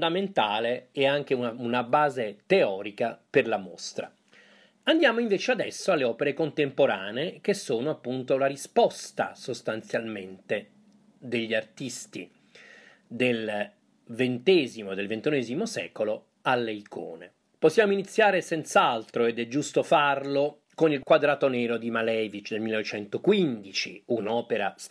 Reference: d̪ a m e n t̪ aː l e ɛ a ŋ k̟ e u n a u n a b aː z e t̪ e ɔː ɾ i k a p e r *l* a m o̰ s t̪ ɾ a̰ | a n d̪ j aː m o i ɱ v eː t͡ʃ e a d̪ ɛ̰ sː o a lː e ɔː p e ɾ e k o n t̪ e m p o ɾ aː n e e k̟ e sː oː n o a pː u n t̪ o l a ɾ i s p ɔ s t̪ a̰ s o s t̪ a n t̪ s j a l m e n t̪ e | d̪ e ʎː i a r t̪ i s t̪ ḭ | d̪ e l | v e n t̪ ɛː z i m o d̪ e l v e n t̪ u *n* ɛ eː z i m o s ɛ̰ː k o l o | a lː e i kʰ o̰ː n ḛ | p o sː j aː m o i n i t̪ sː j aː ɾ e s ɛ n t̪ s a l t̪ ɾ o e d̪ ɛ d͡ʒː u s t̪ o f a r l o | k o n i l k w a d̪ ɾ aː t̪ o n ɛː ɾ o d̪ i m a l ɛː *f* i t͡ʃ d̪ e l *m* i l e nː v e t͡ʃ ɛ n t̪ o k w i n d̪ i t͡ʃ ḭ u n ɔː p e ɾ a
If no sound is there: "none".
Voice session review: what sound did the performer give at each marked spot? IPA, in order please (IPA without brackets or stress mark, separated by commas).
l, n, v, m